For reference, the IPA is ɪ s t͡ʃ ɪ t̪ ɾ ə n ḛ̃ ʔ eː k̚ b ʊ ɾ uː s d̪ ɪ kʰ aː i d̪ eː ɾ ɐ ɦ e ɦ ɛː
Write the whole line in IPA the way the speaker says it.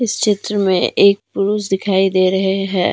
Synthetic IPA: ɪ s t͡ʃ ɪ t̪ ɾ ə m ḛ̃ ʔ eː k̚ p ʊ ɾ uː s d̪ ɪ kʰ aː i d̪ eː ɾ ɐ ɦ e ɦ ɛː